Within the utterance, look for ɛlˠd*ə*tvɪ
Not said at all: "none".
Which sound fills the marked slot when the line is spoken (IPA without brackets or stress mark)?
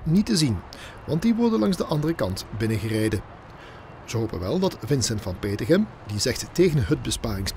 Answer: ɑ